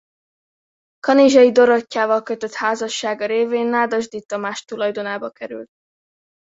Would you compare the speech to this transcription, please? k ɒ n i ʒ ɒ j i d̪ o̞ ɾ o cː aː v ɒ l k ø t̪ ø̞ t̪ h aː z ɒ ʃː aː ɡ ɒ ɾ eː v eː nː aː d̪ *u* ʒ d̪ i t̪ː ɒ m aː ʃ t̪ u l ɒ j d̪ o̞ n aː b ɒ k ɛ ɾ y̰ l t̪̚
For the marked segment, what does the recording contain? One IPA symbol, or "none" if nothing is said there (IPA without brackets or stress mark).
ɒ